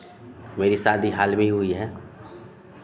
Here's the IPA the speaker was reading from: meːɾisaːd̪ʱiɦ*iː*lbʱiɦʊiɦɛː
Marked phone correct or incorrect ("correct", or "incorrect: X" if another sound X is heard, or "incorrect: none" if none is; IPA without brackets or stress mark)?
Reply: incorrect: aː